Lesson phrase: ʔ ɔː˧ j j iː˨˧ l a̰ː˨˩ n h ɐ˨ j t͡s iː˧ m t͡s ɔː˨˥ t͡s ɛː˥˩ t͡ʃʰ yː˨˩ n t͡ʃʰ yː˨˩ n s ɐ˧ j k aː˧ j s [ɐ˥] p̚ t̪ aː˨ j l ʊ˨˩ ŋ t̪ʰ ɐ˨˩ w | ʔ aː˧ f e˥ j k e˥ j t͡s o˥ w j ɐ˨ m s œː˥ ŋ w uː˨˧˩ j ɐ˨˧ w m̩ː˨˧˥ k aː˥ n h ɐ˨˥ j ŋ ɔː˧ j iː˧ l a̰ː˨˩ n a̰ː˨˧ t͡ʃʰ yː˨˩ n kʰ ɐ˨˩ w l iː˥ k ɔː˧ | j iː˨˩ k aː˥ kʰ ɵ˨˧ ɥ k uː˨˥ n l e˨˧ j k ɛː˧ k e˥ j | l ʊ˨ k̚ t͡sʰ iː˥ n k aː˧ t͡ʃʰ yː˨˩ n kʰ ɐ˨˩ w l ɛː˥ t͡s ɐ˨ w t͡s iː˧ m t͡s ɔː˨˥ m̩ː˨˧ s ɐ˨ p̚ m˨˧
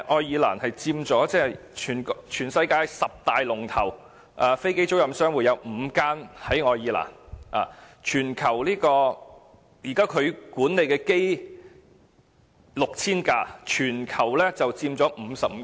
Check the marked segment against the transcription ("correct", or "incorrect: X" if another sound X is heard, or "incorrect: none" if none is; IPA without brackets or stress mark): incorrect: ɐ˨